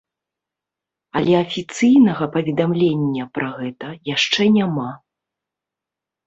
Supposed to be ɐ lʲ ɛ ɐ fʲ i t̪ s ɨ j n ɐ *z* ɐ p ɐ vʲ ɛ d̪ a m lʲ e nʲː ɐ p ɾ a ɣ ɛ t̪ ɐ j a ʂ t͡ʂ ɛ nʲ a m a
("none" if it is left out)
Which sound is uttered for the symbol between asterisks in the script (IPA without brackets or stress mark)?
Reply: ɣ